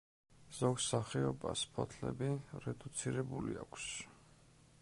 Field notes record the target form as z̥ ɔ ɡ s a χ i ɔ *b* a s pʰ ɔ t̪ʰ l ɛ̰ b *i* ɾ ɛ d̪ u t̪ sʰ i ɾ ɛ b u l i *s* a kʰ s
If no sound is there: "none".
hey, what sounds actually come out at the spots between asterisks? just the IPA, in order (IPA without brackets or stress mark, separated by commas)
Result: b, i, none